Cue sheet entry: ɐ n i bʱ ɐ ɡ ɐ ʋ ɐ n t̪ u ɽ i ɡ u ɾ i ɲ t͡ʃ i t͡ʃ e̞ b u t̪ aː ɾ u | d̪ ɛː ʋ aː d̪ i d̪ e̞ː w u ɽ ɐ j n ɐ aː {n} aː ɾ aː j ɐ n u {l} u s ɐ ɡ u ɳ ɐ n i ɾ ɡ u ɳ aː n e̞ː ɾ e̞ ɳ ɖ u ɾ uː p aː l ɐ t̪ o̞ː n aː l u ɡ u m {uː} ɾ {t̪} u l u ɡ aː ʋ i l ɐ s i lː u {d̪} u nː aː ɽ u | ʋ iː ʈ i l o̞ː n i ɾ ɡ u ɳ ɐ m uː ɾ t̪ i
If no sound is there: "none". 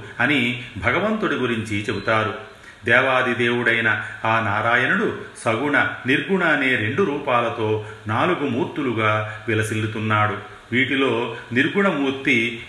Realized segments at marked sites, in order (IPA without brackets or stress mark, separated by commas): n, ɽ, uː, t̪, t̪